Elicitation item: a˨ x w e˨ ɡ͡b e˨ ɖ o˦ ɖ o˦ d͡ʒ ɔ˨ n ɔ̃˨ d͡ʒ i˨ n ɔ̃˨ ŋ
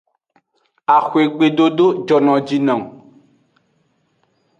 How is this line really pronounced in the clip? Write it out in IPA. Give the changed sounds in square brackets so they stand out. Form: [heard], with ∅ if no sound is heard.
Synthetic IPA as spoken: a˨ x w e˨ ɡ͡b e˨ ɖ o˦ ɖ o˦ d͡ʒ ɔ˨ n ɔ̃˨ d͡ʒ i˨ n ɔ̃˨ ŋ